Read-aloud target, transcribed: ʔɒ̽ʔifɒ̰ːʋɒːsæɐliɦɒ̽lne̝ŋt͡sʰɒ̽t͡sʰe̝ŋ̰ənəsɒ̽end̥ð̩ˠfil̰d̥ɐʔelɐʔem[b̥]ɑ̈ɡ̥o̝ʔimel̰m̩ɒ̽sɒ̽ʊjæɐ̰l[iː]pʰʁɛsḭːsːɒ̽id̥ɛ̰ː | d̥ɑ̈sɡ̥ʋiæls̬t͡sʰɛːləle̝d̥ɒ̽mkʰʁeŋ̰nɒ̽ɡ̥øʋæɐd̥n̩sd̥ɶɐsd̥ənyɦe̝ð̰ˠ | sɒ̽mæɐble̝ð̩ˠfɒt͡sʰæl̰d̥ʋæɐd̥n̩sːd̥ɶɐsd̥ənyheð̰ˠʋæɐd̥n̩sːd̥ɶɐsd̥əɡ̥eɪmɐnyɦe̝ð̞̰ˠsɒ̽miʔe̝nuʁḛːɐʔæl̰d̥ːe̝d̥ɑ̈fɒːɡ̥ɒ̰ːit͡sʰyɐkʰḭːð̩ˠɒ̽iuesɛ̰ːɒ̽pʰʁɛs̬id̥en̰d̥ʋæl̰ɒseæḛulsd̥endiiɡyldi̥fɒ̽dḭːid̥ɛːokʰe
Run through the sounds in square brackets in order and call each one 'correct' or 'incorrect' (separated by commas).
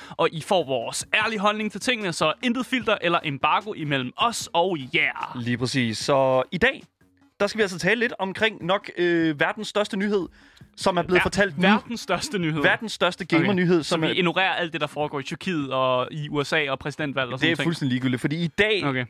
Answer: correct, correct